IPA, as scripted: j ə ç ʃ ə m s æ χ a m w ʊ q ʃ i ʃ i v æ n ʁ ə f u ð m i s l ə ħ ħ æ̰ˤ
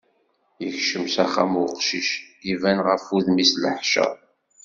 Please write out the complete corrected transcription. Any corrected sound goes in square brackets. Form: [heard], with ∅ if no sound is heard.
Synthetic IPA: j ə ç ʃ ə m s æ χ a m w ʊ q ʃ i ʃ i v æ n ʁ ə f u ð m i s l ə ħ [ʃ] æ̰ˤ